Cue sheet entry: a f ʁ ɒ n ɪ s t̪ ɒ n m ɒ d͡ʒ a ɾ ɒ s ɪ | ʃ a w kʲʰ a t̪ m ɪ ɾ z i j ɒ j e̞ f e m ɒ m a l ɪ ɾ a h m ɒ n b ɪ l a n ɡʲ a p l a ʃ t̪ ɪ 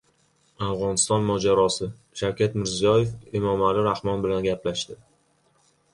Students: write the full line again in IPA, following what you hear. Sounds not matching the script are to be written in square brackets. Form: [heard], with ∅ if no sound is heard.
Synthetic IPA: a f ʁ ɒ n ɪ s t̪ ɒ n m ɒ d͡ʒ a ɾ ɒ s ɪ | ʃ a w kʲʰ a t̪ m ɪ ɾ z i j ɒ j e̞ f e m ɒ m a l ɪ ɾ a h m ɒ n b ɪ l a n ɡʲ a p l a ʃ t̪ ɪ